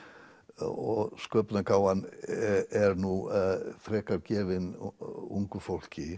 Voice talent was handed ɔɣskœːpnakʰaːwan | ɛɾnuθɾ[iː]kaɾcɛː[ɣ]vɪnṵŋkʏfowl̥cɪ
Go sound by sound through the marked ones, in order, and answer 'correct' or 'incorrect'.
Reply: incorrect, incorrect

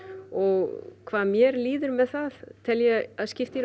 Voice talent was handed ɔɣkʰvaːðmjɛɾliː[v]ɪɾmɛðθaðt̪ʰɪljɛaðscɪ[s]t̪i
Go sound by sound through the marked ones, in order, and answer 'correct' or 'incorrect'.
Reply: incorrect, incorrect

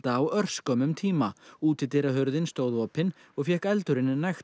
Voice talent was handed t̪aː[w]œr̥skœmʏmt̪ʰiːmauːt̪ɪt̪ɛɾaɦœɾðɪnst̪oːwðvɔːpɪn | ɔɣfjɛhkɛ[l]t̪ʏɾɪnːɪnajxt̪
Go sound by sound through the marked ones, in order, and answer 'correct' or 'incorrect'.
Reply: correct, correct

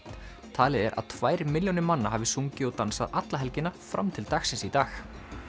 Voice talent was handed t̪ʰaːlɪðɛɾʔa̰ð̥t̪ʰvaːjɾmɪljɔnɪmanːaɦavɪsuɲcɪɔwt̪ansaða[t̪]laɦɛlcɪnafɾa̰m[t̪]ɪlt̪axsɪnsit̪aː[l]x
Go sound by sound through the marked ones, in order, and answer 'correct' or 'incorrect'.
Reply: correct, incorrect, incorrect

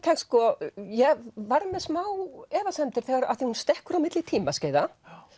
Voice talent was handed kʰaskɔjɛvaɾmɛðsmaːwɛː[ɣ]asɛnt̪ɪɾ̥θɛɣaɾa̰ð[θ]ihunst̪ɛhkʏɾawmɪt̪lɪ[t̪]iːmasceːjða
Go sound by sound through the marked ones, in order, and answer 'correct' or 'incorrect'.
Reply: incorrect, correct, incorrect

